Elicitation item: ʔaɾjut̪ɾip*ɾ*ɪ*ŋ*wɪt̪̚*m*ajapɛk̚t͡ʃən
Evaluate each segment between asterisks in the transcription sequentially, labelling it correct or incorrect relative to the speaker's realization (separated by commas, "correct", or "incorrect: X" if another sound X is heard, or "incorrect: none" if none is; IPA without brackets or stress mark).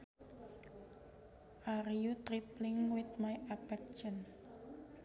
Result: incorrect: l, correct, correct